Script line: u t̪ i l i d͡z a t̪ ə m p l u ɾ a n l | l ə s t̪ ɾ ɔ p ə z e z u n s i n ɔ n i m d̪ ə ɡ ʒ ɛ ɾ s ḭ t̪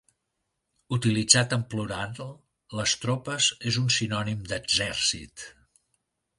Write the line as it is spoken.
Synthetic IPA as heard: u t̪ i l i d͡z a t̪ ə m p l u ɾ a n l | l ə s t̪ ɾ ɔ p ə z e z u n s i n ɔ n i m d̪ ə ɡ z ɛ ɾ s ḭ t̪